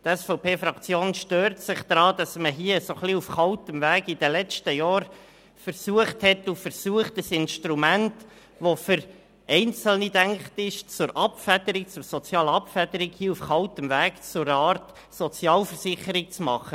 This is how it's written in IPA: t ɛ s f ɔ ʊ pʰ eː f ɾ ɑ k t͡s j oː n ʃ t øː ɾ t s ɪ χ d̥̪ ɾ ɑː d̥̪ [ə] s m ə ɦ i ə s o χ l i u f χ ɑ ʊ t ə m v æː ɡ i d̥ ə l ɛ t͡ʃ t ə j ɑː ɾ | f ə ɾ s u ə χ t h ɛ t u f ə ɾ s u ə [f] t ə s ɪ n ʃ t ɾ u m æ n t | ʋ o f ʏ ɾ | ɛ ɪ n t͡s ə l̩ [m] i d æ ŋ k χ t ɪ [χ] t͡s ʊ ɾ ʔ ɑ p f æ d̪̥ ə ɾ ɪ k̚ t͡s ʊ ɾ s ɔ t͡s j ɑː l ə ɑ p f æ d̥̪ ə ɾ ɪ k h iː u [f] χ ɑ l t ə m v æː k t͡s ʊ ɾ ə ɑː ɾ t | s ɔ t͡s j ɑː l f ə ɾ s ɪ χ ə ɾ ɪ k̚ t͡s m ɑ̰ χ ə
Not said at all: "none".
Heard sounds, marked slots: ɑ, χ, n, ʃ, f

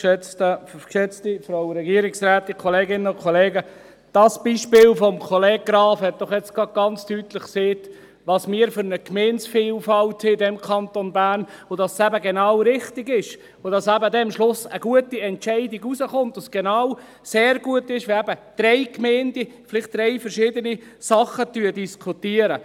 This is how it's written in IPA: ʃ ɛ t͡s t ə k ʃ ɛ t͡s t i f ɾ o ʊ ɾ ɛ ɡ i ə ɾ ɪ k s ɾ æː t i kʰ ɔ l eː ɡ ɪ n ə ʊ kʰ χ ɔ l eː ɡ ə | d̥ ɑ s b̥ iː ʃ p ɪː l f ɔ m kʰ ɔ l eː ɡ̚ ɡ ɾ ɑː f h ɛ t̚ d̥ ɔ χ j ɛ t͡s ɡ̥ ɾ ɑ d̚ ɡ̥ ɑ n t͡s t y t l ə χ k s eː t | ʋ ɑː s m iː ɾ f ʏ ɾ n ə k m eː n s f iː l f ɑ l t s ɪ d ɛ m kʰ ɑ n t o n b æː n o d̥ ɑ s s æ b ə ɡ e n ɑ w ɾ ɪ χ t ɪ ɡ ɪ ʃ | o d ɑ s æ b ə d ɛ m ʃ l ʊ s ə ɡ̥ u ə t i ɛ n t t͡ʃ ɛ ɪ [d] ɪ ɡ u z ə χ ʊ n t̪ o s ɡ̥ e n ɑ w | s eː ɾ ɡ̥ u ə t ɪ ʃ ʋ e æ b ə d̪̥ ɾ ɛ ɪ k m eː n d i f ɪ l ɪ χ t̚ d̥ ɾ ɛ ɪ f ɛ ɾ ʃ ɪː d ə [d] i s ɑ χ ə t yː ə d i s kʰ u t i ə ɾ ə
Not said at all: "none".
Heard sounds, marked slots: d, n

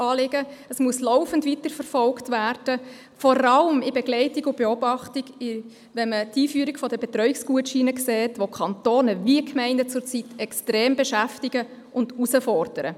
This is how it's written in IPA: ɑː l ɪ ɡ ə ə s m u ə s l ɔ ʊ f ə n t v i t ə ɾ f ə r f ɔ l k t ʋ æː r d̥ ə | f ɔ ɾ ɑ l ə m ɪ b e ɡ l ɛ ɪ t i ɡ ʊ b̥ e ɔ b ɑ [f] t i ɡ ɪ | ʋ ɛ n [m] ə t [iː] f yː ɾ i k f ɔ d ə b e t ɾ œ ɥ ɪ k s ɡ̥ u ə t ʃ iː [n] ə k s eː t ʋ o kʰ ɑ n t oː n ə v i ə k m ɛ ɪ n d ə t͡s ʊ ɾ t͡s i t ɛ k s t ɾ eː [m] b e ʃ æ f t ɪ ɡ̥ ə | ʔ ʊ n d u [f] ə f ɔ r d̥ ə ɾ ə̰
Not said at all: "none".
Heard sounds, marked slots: χ, m, iː, n, m, s

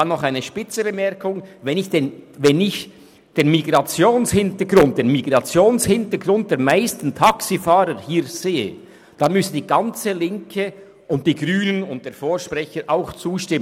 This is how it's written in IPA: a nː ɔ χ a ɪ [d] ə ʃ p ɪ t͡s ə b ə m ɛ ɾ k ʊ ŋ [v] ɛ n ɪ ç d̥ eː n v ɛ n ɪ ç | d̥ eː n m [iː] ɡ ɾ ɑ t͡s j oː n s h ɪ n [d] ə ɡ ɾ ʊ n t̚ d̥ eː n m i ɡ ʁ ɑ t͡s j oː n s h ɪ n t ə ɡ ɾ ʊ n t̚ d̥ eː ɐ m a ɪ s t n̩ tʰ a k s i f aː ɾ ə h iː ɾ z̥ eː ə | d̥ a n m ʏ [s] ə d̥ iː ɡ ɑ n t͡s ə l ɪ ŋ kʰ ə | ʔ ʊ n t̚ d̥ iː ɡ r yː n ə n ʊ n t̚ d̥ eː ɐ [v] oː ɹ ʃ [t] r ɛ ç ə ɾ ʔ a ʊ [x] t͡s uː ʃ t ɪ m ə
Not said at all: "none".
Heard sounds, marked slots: n, v, i, t, s, f, p, x

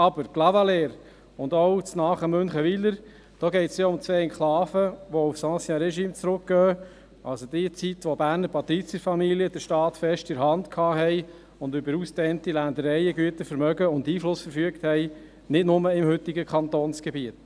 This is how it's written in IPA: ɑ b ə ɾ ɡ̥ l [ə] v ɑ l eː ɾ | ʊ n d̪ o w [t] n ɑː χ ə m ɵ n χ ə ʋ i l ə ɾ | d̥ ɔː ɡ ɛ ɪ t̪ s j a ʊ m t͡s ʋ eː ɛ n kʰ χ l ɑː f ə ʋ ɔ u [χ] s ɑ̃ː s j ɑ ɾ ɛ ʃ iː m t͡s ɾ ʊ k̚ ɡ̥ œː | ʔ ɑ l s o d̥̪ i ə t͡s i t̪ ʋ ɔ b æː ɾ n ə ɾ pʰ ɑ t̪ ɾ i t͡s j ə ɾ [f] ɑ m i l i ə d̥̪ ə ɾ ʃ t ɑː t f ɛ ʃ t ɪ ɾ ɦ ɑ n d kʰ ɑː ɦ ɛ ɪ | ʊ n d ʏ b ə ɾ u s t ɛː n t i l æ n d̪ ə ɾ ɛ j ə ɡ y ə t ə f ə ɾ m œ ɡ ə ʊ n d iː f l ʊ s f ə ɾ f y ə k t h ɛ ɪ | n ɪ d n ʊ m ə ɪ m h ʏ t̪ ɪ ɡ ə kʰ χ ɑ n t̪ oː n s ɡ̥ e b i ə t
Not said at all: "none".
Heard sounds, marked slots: ɑ, t͡s, f, f

